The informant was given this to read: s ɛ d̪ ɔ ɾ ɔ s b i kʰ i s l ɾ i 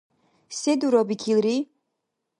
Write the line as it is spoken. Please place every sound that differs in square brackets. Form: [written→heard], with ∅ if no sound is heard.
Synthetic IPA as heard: s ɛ d̪ [ɔ→u] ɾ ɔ [s→∅] b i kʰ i [s→∅] l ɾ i